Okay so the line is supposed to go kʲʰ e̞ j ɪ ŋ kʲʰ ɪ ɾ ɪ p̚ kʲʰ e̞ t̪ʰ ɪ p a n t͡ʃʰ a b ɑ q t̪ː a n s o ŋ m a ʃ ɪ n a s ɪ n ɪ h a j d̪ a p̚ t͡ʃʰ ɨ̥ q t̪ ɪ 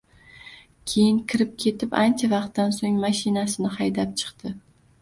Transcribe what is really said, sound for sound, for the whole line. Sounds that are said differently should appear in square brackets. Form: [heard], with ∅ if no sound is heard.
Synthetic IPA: kʲʰ e̞ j ɪ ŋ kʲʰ ɪ ɾ ɪ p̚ kʲʰ e̞ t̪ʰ ɪ p a n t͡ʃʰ a [v] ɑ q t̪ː a n s o ŋ m a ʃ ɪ n a s ɪ n ɪ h a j d̪ a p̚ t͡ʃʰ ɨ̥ q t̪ ɪ